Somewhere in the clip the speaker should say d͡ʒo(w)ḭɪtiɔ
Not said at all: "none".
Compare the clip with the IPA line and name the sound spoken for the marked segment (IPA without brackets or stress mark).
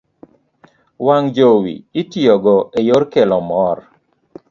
w